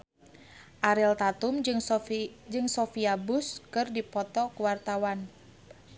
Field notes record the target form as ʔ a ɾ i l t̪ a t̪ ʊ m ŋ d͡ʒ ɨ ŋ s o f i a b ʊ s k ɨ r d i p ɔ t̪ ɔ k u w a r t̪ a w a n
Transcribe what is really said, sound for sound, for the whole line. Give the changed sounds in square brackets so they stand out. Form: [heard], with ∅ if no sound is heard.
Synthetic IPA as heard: ʔ a ɾ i l t̪ a t̪ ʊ m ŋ d͡ʒ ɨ ŋ s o f i a b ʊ s k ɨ r d i p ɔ t̪ ɔ k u w a r t̪ a w a n